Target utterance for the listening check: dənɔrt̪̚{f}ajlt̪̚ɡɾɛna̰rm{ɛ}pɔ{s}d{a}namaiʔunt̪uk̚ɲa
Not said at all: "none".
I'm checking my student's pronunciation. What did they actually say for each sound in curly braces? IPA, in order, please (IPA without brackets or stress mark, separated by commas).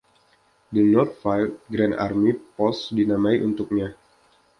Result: f, i, s, i